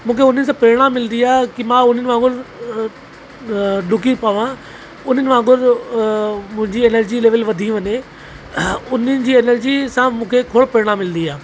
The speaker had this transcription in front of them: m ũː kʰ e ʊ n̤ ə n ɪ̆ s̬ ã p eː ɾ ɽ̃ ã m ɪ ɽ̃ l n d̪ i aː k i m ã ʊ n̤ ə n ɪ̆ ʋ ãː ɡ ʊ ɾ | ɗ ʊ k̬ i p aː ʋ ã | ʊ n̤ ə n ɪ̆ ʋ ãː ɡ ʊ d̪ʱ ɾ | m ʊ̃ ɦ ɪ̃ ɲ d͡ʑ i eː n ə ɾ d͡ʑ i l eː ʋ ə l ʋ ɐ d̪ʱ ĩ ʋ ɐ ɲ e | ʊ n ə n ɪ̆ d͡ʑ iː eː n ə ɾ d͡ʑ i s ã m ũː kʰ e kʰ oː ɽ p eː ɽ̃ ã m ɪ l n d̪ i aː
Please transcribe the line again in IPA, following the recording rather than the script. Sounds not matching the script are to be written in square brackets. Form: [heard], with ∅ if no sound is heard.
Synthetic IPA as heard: m ũː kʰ e ʊ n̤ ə n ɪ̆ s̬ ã p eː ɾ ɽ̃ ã m ɪ [∅] l n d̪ i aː k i m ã ʊ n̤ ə n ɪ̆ ʋ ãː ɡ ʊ ɾ | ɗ ʊ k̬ i p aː ʋ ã | ʊ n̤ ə n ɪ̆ ʋ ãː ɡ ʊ [∅] ɾ | m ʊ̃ ɦ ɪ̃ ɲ d͡ʑ i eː n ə ɾ d͡ʑ i l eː ʋ ə l ʋ ɐ d̪ʱ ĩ ʋ ɐ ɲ e | ʊ n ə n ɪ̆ d͡ʑ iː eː n ə ɾ d͡ʑ i s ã m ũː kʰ e kʰ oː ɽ p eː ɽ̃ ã m ɪ l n d̪ i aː

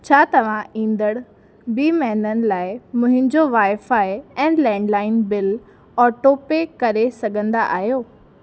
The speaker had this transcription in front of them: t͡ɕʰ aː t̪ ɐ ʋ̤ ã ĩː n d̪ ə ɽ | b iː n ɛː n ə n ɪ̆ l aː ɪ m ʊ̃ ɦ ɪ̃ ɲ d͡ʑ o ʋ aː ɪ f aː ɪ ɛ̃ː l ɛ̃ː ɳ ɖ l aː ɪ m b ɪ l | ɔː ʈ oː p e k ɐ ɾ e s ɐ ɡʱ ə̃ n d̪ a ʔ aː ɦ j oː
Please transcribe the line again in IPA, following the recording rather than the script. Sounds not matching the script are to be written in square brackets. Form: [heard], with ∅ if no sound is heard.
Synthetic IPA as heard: t͡ɕʰ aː t̪ ɐ ʋ̤ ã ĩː n d̪ ə ɽ | b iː [m] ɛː n ə n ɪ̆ l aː ɪ m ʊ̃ ɦ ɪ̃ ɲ d͡ʑ o ʋ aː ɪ f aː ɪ ɛ̃ː l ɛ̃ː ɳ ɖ l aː ɪ [n] b ɪ l | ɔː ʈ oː p e k ɐ ɾ e s ɐ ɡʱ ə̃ n d̪ a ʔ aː ɦ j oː

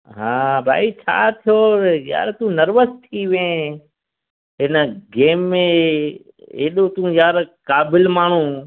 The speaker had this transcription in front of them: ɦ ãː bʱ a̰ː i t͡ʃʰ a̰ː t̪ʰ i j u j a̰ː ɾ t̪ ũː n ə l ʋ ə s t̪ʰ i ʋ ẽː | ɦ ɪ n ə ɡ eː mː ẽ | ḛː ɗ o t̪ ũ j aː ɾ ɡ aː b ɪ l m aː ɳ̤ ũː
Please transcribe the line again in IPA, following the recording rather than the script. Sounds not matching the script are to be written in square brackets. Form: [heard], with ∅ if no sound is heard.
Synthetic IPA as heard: ɦ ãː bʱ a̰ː i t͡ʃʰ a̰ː t̪ʰ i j [o] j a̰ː ɾ t̪ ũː n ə [ɾ] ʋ ə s t̪ʰ i ʋ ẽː | ɦ ɪ n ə ɡ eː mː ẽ | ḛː ɗ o t̪ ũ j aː ɾ [k] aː b ɪ l m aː ɳ̤ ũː

